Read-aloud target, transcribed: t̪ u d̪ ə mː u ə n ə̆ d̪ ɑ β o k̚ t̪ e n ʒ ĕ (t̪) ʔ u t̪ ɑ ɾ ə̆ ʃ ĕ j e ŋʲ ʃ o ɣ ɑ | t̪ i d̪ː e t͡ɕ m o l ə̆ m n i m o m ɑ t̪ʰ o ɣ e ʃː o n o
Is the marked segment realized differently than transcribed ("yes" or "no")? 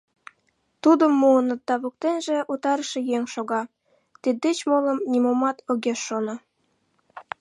yes